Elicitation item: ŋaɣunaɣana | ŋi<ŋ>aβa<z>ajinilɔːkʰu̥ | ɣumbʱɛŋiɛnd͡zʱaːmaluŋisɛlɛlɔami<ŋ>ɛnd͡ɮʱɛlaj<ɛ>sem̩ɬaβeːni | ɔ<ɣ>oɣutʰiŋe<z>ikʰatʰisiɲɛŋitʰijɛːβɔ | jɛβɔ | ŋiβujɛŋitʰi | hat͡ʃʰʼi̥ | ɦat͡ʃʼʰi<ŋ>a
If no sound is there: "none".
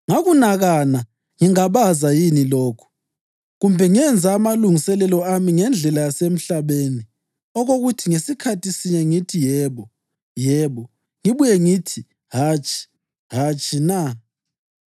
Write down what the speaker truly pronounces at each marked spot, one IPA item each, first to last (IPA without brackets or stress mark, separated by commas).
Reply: ŋ, z, ŋ, a, ɣ, s, n